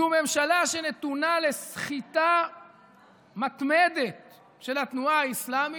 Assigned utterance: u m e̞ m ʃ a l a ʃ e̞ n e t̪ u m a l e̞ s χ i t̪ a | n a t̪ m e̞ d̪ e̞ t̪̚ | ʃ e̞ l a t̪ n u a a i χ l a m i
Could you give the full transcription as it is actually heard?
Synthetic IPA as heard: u m e̞ m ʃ a l a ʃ e̞ n e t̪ u n a l e̞ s χ i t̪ a | m a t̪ m e̞ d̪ e̞ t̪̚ | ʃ e̞ l a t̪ n u a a i s l a m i